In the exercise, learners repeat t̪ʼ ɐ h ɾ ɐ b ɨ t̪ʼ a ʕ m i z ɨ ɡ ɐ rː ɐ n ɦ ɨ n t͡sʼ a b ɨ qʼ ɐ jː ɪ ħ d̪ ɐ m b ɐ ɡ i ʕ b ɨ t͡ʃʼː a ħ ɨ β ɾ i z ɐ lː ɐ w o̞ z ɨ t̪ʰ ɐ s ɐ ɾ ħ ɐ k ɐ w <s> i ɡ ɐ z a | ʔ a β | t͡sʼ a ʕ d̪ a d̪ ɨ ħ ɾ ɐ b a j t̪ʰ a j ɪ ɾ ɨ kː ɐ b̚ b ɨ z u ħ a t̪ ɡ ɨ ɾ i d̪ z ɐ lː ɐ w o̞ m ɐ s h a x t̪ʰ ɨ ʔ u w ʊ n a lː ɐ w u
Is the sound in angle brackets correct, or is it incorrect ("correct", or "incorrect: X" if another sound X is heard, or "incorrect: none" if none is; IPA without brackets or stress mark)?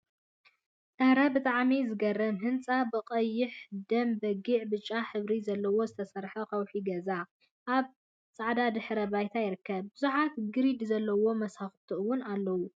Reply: incorrect: ħ